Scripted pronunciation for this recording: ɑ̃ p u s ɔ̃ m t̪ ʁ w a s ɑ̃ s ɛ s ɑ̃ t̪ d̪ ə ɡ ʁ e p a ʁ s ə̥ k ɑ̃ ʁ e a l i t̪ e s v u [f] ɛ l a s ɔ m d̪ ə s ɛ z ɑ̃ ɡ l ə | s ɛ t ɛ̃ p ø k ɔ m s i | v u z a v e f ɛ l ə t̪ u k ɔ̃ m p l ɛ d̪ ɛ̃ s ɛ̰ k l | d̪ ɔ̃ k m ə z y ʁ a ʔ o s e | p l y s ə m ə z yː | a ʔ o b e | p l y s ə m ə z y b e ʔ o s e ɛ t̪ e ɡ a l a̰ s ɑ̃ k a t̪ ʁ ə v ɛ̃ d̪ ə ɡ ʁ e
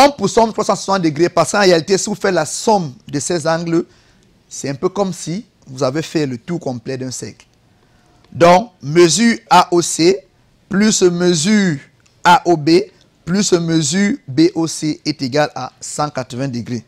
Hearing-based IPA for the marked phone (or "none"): f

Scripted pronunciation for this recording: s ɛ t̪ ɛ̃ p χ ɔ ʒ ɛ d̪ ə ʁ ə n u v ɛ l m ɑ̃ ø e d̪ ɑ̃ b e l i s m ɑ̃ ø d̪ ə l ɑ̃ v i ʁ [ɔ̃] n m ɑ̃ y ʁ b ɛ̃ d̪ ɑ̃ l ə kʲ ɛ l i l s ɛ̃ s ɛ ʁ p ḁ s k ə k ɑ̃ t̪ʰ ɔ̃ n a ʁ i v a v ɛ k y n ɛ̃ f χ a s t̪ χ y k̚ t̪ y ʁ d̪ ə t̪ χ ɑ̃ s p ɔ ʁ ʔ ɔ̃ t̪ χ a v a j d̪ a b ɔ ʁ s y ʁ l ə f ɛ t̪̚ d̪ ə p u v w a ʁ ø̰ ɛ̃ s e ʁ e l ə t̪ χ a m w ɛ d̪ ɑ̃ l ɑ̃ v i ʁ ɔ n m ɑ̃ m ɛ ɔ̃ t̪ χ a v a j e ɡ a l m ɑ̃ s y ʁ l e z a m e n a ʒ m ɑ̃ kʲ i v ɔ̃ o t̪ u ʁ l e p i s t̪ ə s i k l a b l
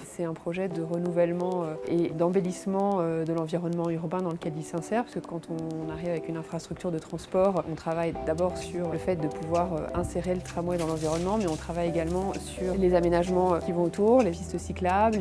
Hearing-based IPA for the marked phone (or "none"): ɔ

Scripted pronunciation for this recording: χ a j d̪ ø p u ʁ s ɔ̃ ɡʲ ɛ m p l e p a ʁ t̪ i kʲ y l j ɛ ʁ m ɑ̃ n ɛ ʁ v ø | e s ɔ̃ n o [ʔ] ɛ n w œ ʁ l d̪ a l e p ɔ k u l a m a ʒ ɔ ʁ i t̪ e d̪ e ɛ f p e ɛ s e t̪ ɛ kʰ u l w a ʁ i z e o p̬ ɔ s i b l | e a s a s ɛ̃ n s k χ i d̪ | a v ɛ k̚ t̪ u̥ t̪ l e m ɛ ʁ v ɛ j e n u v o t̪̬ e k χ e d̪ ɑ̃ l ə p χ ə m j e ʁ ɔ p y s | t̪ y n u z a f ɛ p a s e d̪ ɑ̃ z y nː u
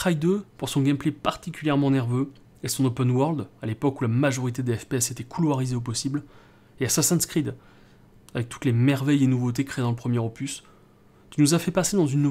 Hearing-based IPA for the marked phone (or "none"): p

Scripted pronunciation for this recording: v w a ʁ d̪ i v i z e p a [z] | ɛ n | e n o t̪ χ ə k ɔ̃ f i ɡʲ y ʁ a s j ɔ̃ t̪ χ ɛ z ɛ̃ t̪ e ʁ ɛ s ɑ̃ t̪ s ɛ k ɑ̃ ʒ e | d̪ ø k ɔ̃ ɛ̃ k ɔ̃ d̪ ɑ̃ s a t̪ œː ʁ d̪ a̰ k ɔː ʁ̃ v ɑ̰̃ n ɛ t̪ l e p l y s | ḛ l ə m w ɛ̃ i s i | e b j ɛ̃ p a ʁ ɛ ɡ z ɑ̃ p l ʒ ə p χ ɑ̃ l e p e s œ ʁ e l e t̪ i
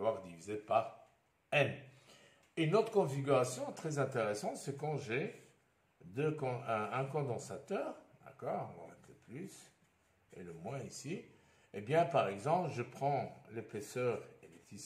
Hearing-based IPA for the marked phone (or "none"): ʁ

